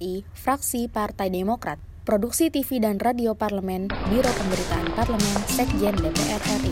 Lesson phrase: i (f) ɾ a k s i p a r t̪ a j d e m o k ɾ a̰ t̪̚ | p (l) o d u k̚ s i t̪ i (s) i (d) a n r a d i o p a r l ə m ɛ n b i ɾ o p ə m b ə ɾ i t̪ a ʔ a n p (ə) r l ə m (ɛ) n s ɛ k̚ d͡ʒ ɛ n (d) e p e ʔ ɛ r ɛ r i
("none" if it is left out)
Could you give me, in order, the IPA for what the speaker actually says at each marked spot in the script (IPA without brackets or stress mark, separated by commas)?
f, ɾ, f, d, a, ɛ, d